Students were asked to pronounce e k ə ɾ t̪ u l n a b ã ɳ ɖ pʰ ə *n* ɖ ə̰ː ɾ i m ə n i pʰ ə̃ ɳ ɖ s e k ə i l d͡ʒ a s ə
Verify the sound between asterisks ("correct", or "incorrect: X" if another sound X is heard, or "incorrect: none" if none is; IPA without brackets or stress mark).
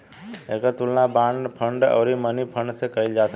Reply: incorrect: ɳ